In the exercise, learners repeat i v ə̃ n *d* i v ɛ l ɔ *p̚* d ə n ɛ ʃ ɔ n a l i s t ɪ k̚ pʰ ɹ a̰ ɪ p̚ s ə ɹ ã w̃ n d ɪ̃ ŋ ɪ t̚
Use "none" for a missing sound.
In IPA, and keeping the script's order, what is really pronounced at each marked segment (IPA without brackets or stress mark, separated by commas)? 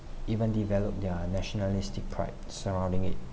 d, p̚